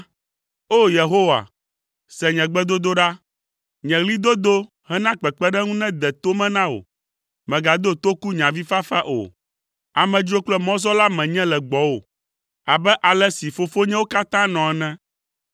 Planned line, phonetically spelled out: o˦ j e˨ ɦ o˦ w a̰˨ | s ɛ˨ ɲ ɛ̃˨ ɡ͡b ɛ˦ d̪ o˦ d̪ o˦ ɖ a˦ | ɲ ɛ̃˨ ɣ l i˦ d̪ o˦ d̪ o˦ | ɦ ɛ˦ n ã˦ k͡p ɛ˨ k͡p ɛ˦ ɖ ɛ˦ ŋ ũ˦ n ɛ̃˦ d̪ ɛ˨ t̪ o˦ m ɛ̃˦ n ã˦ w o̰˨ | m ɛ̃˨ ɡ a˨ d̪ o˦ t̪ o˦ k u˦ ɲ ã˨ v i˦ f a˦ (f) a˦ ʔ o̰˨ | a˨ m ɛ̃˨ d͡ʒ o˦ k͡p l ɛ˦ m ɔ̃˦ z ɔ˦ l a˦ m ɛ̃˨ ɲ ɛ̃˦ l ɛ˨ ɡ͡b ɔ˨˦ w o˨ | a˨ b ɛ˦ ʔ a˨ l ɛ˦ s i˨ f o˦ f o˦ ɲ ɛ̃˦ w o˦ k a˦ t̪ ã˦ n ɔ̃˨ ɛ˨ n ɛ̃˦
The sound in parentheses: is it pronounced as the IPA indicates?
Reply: yes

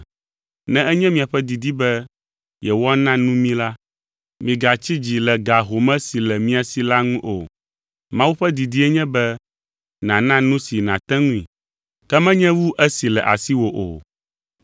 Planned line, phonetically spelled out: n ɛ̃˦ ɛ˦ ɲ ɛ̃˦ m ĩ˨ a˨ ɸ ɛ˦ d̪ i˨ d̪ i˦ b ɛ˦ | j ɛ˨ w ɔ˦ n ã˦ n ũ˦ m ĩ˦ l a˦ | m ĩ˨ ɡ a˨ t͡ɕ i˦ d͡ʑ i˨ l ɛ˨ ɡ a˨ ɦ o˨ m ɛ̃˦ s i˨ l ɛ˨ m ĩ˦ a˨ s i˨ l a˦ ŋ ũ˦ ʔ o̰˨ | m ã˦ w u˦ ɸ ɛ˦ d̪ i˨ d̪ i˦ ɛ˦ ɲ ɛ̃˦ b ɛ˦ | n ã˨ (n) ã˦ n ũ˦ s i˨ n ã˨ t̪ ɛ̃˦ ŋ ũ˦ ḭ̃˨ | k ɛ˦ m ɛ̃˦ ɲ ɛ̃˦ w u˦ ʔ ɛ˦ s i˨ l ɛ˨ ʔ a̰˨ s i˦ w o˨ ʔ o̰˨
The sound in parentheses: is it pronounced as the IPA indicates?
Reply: yes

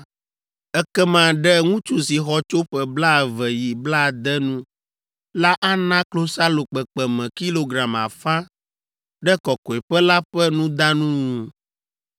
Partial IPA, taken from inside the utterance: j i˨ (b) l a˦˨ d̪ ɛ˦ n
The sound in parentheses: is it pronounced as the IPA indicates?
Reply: yes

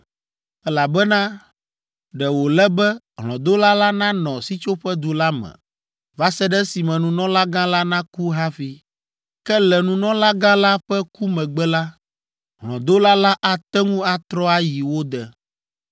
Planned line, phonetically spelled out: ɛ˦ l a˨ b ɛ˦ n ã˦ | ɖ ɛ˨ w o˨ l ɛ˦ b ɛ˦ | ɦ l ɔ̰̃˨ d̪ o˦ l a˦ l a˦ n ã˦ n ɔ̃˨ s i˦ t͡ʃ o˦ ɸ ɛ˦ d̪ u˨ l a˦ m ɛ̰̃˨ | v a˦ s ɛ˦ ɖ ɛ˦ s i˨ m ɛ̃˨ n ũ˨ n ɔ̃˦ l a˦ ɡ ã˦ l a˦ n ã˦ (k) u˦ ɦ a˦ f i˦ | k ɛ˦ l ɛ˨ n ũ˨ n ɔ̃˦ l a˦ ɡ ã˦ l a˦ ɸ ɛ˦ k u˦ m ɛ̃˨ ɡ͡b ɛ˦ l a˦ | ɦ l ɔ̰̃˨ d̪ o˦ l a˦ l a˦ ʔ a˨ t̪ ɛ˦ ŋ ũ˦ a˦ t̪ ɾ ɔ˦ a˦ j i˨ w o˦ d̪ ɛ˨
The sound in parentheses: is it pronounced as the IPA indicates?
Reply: yes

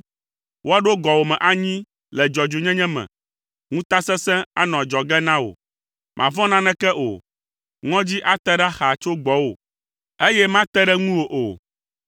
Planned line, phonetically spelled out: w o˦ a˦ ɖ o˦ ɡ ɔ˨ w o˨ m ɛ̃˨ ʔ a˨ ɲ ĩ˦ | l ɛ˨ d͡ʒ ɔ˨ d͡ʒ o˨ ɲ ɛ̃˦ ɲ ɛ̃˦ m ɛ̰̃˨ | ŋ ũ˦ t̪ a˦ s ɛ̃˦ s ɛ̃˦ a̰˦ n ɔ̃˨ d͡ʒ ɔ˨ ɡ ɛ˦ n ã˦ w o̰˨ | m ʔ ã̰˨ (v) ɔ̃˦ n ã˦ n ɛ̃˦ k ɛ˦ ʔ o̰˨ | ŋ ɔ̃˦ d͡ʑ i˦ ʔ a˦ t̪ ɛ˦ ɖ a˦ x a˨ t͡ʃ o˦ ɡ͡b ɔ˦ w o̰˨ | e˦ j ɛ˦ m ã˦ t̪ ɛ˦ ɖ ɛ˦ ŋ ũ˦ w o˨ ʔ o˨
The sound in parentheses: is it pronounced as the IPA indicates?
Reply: yes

